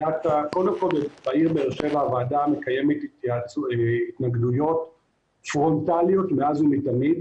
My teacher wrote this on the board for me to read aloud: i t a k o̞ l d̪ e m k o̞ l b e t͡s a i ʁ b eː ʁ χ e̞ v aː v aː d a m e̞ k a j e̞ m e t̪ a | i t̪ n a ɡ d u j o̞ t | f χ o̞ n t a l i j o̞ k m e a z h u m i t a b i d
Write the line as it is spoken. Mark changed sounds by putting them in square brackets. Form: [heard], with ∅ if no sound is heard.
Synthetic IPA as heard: [a] t a k o̞ l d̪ e m k o̞ l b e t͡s a i ʁ b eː ʁ [ʃ] e̞ v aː v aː d a m e̞ k a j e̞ m e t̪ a | i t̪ n a ɡ d u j o̞ t | f [ʁ] o̞ n t a l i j o̞ [t] m e a z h u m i t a [m] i d